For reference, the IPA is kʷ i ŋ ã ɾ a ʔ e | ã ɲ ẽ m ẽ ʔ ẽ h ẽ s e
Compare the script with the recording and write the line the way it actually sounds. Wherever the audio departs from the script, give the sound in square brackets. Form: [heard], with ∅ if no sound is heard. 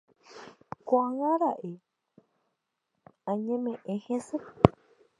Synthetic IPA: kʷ [a] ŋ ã ɾ a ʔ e | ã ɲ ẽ m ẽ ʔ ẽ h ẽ s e